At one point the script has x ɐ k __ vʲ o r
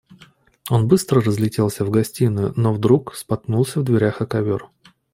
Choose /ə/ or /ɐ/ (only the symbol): ɐ